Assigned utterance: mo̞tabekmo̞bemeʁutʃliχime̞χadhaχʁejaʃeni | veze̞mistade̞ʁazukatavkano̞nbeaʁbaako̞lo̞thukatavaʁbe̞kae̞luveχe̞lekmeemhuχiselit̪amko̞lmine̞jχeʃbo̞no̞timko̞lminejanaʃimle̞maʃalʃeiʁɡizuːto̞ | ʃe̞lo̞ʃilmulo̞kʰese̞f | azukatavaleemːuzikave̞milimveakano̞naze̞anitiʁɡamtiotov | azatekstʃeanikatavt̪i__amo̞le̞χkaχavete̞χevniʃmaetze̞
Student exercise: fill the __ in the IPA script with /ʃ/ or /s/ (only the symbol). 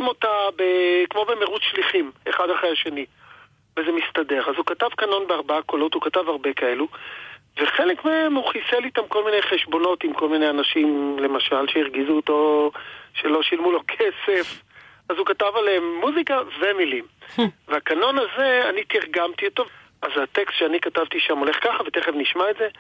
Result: ʃ